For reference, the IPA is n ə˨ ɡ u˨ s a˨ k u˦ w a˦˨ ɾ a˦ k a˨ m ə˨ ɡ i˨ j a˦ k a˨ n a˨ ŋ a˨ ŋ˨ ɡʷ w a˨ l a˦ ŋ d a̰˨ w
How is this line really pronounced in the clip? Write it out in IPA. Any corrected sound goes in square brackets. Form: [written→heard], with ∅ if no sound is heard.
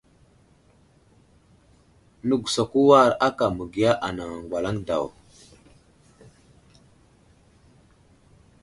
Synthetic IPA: n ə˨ ɡ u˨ s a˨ k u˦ w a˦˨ ɾ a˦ k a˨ m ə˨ ɡ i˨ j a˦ [k→ʔ] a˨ n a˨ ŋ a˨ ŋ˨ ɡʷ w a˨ l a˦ ŋ d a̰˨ w